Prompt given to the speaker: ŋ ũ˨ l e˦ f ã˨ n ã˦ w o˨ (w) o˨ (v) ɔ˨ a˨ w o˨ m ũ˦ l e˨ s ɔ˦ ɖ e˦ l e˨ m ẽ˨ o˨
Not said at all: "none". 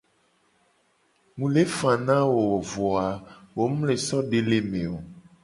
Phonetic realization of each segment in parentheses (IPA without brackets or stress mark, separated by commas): w, v